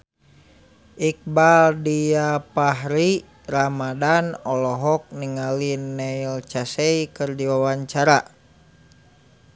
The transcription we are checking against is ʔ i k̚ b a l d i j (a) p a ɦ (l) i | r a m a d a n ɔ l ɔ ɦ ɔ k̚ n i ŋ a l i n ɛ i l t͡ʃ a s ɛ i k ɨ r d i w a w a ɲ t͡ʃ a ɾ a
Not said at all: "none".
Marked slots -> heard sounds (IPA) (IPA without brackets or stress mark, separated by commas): a, ɾ